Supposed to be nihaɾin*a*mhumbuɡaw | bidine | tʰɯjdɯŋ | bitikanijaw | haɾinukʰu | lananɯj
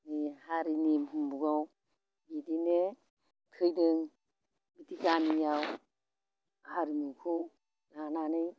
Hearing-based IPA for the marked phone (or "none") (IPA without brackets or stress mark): i